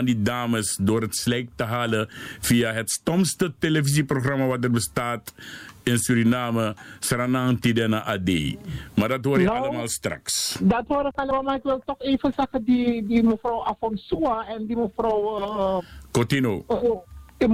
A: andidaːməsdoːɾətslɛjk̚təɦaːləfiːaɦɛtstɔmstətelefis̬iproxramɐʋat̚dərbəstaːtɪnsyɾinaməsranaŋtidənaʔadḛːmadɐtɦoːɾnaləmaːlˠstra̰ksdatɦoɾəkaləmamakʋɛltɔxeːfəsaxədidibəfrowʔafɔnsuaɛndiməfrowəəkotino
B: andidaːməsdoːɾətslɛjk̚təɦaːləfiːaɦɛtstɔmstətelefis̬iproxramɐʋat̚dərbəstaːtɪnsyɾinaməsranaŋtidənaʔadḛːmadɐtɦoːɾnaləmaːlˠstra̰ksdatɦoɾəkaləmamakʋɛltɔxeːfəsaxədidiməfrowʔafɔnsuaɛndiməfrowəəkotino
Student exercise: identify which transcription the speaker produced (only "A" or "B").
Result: B